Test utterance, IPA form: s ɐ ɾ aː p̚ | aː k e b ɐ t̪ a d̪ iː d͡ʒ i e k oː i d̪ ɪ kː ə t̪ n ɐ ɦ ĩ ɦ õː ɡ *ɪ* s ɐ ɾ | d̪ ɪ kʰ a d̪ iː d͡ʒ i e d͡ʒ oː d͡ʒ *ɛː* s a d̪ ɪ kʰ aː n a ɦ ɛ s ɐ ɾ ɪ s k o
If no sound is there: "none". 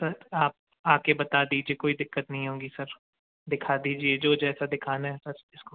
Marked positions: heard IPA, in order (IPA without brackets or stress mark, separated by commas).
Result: i, ɛː